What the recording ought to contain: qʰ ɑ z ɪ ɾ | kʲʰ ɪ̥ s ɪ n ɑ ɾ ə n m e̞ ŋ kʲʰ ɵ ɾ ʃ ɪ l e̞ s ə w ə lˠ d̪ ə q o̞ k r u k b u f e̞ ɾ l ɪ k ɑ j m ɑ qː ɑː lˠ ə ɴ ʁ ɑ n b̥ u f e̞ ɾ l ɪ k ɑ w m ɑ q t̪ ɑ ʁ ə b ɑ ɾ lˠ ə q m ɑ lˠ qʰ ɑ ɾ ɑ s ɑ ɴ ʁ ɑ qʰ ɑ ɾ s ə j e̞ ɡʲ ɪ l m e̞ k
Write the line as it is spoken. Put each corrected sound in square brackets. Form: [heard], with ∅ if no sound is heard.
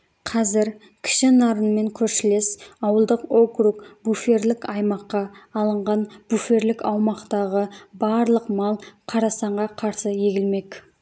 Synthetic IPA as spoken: qʰ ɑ z ɪ ɾ | kʲʰ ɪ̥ [ʃ] ɪ n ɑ ɾ ə n m e̞ ŋ kʲʰ ɵ ɾ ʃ ɪ l e̞ s [ɑ] w ə lˠ d̪ ə q o̞ k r u k b u f e̞ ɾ l ɪ k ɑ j m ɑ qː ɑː lˠ ə ɴ ʁ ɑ n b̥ u f e̞ ɾ l ɪ k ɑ w m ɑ q t̪ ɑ ʁ ə b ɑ ɾ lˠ ə q m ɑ lˠ qʰ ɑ ɾ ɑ s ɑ ɴ ʁ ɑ qʰ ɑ ɾ s ə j e̞ ɡʲ ɪ l m e̞ k